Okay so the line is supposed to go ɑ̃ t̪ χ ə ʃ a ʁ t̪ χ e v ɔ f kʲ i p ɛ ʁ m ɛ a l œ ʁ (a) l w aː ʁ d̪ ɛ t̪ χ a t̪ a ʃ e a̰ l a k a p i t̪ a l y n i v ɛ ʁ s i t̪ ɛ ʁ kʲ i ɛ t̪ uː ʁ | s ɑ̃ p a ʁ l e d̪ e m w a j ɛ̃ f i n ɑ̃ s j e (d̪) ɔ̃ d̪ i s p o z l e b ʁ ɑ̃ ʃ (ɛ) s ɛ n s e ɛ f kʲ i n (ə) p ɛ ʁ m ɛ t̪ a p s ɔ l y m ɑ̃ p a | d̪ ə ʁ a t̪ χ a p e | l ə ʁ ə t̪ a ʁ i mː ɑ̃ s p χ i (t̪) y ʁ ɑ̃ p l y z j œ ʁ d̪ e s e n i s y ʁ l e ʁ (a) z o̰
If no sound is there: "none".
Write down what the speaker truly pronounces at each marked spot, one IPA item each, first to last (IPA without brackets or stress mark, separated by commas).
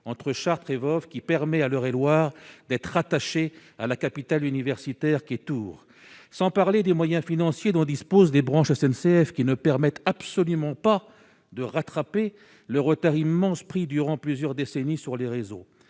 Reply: e, d̪, ɛ, ə, d̪, e